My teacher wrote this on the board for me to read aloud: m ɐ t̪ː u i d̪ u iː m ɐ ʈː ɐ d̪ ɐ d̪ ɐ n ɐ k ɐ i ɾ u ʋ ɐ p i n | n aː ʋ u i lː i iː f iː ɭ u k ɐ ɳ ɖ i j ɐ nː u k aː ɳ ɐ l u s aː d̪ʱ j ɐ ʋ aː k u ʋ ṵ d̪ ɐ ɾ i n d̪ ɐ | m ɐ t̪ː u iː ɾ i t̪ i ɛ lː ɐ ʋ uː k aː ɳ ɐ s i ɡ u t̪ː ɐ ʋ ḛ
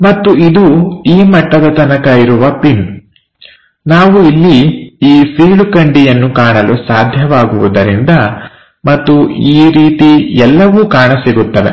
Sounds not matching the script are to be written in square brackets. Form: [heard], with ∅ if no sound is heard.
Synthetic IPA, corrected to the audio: m ɐ t̪ː u i d̪ u iː m ɐ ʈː ɐ d̪ ɐ [t̪] ɐ n ɐ k ɐ i ɾ u ʋ ɐ p i n | n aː ʋ u i lː i iː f iː ɭ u k ɐ ɳ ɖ i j ɐ nː u k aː ɳ ɐ l u s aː d̪ʱ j ɐ ʋ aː [ɡ] u ʋ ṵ d̪ ɐ ɾ i n d̪ ɐ | m ɐ t̪ː u iː ɾ [iː] t̪ i ɛ lː ɐ ʋ uː k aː ɳ ɐ s i ɡ u t̪ː ɐ ʋ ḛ